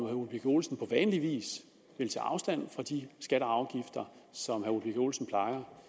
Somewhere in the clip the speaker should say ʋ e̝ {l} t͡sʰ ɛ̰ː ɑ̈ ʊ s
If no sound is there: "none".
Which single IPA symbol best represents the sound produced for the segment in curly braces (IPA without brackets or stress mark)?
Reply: l